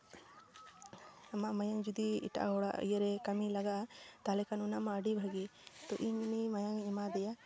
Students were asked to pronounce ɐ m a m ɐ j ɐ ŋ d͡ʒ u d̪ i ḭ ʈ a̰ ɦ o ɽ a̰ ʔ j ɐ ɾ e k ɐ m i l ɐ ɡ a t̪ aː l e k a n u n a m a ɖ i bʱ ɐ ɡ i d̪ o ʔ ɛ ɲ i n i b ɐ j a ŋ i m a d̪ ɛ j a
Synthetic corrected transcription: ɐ m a m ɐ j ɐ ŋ d͡ʒ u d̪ i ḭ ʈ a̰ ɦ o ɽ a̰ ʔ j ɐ ɾ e k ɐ m i l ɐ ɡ a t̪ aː l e k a n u n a m a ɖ i bʱ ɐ ɡ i t̪ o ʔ i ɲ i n i m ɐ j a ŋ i m a d̪ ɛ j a